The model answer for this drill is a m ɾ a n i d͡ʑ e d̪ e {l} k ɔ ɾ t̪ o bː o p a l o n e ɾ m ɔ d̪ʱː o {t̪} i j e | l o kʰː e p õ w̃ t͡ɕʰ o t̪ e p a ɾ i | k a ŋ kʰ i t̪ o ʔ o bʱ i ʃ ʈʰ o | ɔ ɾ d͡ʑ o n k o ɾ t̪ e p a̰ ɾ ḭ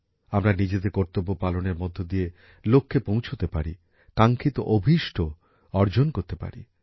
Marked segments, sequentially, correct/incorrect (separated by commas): incorrect, incorrect